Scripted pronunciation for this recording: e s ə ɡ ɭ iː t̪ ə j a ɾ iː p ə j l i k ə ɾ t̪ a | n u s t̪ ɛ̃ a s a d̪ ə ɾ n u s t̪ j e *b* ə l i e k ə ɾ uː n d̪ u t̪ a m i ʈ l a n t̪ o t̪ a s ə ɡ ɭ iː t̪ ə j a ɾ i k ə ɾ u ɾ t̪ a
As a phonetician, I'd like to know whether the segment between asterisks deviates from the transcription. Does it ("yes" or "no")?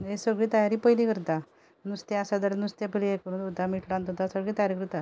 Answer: yes